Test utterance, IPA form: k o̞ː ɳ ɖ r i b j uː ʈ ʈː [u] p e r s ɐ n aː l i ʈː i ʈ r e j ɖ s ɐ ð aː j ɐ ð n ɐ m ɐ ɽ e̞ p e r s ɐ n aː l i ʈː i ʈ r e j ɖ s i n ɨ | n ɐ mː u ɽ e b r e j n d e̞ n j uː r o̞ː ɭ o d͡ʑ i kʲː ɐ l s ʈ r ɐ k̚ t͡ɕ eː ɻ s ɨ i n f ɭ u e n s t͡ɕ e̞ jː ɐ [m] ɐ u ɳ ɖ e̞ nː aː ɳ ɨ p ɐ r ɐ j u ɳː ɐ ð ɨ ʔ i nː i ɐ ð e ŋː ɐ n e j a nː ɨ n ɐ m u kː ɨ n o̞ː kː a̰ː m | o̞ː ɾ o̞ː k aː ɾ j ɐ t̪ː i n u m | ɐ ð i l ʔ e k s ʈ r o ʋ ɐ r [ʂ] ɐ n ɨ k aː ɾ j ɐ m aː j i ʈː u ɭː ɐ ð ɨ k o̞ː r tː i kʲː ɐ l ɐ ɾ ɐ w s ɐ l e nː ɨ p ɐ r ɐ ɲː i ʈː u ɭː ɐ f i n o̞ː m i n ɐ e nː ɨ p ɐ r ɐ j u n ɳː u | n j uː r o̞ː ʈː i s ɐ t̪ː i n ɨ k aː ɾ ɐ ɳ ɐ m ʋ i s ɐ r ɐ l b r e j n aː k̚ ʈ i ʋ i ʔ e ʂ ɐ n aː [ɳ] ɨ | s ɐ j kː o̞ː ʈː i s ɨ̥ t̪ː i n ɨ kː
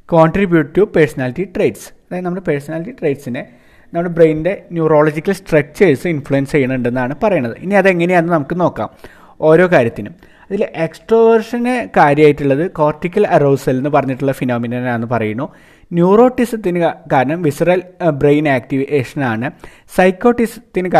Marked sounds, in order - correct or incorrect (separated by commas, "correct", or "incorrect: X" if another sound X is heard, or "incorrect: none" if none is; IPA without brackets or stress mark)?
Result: correct, incorrect: ɳ, correct, correct